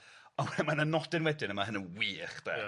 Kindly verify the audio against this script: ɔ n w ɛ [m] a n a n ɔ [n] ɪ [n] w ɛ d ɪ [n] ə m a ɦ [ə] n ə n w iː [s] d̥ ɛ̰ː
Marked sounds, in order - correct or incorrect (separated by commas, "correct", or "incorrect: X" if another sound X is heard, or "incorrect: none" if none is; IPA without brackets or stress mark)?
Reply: correct, incorrect: d, correct, correct, correct, incorrect: χ